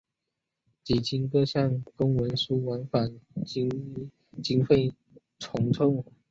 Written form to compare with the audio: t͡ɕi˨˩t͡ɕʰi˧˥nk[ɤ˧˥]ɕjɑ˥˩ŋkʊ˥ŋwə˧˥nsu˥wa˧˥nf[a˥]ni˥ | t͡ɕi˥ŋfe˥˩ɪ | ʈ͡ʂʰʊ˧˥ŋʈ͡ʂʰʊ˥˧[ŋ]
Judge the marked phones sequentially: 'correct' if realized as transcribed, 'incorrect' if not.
incorrect, incorrect, correct

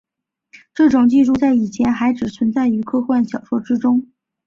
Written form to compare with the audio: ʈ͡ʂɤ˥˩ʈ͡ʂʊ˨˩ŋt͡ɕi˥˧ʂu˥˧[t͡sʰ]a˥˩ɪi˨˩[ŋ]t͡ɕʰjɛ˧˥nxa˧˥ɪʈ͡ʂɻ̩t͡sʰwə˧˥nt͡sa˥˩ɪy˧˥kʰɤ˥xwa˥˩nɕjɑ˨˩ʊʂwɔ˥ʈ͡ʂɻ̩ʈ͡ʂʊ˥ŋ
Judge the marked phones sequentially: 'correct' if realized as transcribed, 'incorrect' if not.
incorrect, incorrect

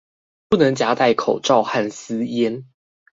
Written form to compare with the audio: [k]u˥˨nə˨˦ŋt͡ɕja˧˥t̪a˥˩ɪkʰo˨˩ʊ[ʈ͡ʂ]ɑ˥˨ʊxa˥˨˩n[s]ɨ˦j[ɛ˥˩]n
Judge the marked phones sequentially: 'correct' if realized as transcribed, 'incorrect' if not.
incorrect, correct, correct, incorrect

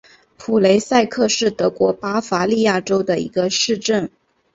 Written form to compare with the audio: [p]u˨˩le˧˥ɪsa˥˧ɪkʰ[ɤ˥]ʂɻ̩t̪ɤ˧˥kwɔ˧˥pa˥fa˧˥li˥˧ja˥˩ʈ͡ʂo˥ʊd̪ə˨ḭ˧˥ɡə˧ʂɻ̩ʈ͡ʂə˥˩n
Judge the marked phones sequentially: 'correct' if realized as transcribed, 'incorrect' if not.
incorrect, incorrect

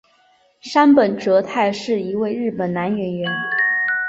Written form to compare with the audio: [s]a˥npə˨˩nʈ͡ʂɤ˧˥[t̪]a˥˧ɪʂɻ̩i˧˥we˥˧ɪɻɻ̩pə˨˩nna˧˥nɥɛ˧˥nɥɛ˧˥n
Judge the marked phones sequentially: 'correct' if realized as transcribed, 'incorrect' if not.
incorrect, incorrect

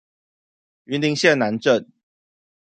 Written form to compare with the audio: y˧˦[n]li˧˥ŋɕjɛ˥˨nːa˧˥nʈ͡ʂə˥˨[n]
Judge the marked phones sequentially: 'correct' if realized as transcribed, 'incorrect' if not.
correct, correct

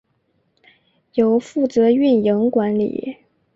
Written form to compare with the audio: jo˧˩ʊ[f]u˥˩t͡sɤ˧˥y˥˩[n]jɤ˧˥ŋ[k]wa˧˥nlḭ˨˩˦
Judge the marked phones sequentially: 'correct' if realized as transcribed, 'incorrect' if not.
correct, correct, correct

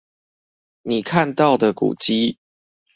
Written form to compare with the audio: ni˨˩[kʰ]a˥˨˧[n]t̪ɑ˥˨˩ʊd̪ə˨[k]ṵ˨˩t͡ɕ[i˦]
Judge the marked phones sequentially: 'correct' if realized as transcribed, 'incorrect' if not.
correct, correct, correct, correct

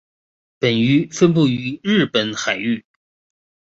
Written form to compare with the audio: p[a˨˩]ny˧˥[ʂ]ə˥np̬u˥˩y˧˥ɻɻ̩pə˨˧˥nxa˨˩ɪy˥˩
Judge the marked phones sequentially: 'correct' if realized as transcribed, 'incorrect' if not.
incorrect, incorrect

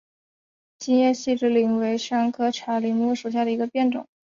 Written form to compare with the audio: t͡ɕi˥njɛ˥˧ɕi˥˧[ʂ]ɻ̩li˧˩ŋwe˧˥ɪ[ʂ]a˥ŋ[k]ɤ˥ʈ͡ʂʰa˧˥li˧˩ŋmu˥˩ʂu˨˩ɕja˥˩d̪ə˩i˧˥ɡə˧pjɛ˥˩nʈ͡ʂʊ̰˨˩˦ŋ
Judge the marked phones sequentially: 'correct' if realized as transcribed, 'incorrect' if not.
incorrect, correct, incorrect

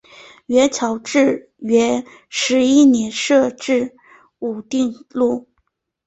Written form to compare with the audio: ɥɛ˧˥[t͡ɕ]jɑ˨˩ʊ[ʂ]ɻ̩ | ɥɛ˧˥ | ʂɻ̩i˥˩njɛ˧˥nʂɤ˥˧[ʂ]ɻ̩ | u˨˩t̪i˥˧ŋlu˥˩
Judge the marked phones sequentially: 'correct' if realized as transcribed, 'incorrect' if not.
incorrect, incorrect, incorrect

